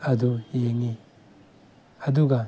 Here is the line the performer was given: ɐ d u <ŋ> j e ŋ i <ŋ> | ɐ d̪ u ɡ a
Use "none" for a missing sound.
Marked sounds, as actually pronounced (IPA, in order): none, none

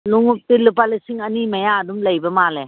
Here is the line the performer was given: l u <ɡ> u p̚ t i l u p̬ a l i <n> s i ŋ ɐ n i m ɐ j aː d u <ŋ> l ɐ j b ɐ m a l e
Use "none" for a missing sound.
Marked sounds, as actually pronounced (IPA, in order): ŋ, none, m

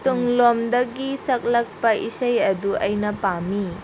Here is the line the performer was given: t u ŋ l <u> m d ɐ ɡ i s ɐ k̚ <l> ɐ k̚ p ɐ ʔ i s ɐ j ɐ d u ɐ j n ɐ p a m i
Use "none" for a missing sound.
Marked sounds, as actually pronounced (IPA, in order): o, l

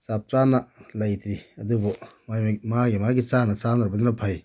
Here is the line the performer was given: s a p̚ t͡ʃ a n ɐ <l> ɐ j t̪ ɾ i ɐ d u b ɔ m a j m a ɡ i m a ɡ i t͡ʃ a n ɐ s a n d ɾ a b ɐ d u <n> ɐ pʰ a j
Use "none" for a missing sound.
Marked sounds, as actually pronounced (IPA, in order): l, n

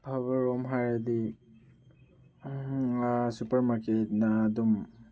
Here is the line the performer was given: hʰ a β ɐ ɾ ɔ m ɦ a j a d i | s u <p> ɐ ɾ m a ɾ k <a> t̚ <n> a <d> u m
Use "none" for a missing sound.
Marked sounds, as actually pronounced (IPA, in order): p, e, n, d

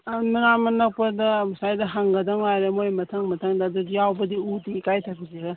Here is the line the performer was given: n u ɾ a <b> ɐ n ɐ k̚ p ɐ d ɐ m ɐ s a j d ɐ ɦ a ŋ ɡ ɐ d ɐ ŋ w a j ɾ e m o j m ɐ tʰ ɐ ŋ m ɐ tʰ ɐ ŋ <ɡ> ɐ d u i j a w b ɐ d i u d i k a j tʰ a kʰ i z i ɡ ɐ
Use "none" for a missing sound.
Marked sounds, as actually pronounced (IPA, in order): m, d

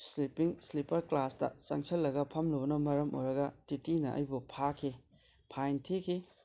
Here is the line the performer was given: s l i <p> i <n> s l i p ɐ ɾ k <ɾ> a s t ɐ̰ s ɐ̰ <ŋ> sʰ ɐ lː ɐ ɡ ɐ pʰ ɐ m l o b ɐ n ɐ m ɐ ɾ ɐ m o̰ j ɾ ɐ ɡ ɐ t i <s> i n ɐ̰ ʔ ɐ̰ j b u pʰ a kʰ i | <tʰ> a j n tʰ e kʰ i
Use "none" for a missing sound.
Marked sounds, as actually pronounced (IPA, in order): p, ŋ, l, ŋ, t, pʰ

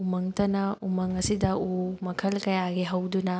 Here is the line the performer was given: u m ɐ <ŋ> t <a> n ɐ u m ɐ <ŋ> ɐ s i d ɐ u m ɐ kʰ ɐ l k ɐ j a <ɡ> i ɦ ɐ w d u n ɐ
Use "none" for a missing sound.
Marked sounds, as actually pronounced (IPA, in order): ŋ, ɐ, ŋ, ɡ

